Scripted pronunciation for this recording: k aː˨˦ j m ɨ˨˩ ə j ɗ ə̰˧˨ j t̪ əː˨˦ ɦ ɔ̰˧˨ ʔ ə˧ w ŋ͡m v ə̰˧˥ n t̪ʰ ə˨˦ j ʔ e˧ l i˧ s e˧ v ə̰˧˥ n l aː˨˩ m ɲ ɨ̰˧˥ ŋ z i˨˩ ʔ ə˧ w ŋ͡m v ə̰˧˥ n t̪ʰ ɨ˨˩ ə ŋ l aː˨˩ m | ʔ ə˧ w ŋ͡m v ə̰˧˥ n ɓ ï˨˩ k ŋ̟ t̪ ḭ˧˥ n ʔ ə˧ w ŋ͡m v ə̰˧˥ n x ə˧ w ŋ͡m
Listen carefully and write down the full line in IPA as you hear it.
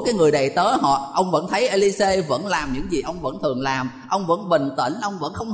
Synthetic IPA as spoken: k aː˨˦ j ŋ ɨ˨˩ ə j ɗ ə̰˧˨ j t̪ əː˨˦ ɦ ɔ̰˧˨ ʔ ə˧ w ŋ͡m v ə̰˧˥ n t̪ʰ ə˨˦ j ʔ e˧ l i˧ s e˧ v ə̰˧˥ n l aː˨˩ m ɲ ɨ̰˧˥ ŋ z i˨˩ ʔ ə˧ w ŋ͡m v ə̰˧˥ n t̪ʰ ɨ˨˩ ə ŋ l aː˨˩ m | ʔ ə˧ w ŋ͡m v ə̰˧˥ n ɓ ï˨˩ ŋ̟ t̪ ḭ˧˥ n ʔ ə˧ w ŋ͡m v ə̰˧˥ n x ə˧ w ŋ͡m